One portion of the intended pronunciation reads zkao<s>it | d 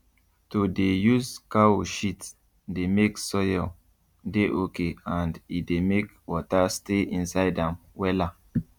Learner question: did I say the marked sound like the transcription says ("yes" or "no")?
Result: no